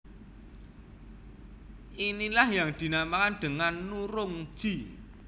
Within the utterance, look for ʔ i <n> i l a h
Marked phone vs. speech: correct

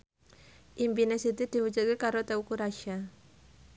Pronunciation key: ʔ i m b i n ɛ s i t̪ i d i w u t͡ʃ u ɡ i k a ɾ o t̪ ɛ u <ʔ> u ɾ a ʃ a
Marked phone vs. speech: incorrect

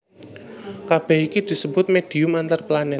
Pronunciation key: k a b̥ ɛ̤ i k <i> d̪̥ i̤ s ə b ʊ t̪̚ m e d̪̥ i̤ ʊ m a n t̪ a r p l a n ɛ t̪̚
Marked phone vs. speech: correct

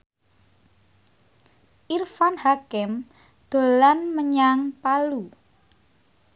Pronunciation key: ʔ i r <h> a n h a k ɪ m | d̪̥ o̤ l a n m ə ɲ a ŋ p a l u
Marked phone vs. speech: incorrect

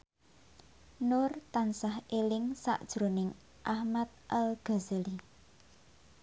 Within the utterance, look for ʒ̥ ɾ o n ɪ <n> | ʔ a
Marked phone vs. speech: incorrect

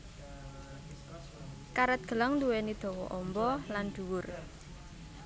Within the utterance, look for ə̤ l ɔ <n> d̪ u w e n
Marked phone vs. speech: incorrect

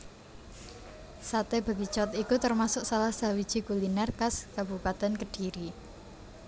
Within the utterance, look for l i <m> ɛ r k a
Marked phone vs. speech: incorrect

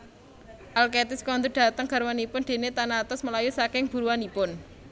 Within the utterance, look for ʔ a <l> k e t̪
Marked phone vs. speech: correct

